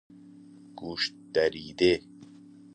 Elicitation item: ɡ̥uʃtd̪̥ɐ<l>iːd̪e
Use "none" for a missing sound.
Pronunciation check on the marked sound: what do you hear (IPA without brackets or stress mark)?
ɾ